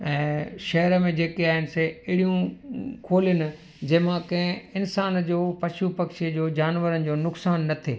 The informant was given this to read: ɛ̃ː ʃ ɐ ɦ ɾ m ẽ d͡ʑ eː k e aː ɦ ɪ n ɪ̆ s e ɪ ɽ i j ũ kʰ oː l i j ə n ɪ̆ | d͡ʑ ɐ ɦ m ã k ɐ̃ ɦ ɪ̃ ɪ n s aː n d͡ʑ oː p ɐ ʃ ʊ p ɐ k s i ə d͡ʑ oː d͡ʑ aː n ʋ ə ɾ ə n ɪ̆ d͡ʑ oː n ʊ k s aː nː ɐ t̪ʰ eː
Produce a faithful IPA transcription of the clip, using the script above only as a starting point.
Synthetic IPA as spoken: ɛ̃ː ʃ ɐ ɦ ɾ m ẽ d͡ʑ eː k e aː ɦ ɪ n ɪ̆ s e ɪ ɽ i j ũ kʰ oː l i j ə n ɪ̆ | d͡ʑ ɐ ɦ m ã k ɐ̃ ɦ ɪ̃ ɪ n s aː n d͡ʑ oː p ɐ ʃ u p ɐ k ʃ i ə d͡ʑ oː d͡ʑ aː n ʋ ə ɾ ə n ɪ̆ d͡ʑ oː n ʊ k s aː nː ɐ t̪ʰ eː